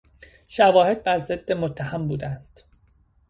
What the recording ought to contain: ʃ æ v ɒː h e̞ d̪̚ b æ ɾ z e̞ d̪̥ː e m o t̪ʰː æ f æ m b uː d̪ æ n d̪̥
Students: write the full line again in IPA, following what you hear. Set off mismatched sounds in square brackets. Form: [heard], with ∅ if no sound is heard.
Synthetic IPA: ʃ æ v ɒː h e̞ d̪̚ b æ ɾ z e̞ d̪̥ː e m o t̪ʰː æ [h] æ m b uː d̪ æ n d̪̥